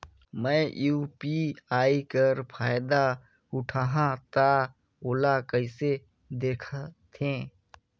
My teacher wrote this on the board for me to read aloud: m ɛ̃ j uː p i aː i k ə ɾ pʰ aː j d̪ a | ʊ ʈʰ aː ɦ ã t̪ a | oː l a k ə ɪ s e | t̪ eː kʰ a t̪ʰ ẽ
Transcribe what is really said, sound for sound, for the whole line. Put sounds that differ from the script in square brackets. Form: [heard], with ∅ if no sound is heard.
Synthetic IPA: m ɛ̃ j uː p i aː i k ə ɾ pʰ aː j d̪ a | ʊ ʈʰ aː ɦ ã t̪ a | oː l a k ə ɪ s e | [d̪] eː kʰ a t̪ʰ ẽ